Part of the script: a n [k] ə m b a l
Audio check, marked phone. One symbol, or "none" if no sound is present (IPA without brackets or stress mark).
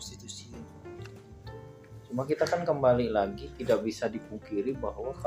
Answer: k